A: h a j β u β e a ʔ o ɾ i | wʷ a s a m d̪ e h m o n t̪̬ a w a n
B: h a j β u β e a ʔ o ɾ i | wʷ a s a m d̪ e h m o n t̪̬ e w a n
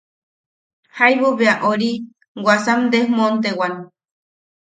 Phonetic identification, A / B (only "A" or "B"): B